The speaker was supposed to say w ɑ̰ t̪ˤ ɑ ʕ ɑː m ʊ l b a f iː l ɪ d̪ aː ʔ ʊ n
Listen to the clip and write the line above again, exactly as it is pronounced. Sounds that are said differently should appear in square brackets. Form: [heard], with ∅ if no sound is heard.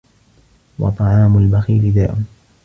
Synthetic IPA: w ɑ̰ t̪ˤ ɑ ʕ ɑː m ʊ l b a [x] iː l ɪ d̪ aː ʔ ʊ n